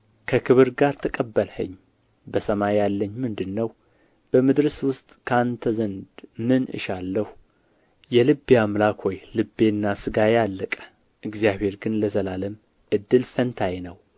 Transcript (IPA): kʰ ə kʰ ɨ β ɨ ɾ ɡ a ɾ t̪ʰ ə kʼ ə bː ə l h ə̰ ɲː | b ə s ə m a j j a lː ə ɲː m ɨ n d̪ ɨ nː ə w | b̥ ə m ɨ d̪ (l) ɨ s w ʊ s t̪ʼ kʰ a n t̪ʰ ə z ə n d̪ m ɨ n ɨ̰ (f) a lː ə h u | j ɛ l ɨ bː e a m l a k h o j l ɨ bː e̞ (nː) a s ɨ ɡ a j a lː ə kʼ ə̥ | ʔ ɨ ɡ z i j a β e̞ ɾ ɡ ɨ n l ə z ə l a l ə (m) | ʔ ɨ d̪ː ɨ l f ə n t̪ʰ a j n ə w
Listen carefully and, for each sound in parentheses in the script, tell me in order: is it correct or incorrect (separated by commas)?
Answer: incorrect, incorrect, correct, correct